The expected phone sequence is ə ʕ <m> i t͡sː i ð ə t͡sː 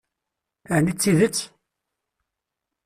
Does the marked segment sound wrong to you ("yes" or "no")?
yes